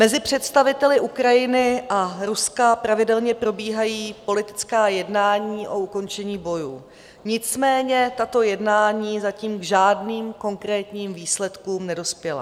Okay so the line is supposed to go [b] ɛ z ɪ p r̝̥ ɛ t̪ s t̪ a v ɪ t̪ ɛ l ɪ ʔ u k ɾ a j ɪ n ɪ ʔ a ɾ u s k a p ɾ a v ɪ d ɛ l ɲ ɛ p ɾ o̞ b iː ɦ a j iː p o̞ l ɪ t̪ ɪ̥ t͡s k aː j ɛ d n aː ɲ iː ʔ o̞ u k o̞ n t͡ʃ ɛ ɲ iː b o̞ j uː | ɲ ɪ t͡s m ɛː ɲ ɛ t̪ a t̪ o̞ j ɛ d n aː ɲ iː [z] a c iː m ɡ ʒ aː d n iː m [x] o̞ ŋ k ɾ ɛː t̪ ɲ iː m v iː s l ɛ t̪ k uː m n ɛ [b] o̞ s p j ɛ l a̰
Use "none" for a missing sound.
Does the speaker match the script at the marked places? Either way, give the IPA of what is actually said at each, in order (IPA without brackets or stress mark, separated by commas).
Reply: m, z, k, d